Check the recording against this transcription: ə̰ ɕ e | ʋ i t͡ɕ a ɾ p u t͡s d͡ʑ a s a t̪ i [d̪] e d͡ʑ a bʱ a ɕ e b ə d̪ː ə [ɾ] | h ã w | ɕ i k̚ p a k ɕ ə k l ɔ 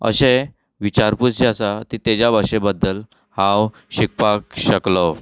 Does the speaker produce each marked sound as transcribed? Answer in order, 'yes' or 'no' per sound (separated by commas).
no, no